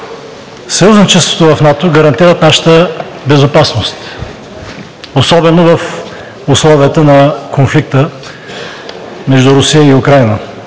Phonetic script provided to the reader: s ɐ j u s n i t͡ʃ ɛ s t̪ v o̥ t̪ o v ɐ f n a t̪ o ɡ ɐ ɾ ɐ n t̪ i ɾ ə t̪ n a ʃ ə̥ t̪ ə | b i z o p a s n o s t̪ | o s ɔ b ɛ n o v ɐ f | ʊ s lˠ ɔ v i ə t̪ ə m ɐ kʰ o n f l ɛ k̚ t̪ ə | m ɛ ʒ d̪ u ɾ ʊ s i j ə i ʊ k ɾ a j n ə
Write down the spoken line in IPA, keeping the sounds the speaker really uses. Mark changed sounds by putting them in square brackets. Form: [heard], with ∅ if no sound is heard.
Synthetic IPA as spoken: s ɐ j u [z] n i t͡ʃ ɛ s t̪ v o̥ t̪ o v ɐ f n a t̪ o ɡ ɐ ɾ ɐ n t̪ i ɾ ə t̪ n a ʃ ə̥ t̪ ə | b [ɛ] z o p a s n o s t̪ | o s ɔ b ɛ n o v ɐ f | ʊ s lˠ ɔ v i ə t̪ ə [n] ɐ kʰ o n f l [i] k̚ t̪ ə | m ɛ ʒ d̪ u ɾ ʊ s i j ə i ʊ k ɾ a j n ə